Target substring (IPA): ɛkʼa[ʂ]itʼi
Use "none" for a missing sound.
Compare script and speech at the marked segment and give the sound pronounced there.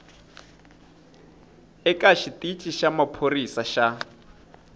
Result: ʃ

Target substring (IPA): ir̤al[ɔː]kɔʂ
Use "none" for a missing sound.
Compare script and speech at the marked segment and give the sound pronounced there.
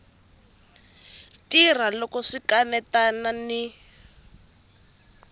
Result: ɔ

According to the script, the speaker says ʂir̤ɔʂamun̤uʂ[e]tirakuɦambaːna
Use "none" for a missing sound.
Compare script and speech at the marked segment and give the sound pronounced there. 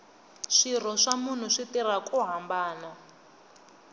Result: i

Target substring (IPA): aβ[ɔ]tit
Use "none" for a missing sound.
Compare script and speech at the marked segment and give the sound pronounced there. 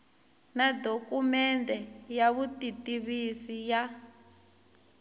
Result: u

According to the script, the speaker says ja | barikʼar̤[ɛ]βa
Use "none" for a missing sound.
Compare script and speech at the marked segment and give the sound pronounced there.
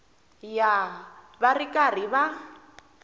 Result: i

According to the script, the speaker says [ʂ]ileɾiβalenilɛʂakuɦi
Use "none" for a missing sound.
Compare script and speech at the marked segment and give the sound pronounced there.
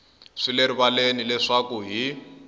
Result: ʂ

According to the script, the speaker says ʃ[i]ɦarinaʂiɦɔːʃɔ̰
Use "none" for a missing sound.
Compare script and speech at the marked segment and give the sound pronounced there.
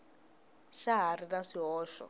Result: a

